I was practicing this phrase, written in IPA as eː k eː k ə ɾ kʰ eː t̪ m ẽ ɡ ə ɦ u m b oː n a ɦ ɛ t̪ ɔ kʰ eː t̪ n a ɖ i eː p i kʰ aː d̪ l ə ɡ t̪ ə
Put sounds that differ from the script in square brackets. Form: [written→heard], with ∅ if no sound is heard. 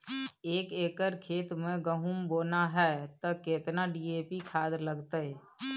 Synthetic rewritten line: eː k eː k ə ɾ kʰ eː t̪ m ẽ ɡ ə ɦ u m b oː n a ɦ ɛ t̪ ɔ [kʰ→k] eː t̪ n a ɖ i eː p i kʰ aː d̪ l ə ɡ t̪ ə